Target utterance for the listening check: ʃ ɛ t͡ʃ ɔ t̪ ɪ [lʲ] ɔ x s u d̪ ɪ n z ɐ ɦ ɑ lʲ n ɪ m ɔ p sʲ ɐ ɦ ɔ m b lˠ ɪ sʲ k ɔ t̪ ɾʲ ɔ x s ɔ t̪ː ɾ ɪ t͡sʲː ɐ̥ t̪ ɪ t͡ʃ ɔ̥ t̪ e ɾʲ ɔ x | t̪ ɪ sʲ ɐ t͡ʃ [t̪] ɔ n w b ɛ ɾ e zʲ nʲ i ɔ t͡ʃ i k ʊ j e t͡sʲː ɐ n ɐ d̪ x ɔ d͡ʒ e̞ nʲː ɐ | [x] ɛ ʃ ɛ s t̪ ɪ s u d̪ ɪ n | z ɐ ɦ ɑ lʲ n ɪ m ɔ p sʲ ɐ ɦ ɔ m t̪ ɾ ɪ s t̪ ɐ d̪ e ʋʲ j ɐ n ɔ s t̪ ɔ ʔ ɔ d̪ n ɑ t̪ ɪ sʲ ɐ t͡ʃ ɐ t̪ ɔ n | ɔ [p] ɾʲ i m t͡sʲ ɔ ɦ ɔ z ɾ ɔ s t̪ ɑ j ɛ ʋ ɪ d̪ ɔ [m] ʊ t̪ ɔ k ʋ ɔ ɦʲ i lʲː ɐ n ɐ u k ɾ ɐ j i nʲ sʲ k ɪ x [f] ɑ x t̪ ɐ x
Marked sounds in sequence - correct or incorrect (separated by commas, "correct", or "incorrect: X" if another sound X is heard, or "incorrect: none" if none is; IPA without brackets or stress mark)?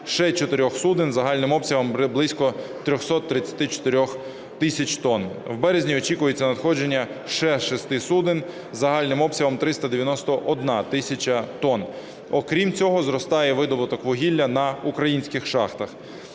incorrect: ɾʲ, correct, incorrect: ʃ, incorrect: k, incorrect: b, incorrect: ʃ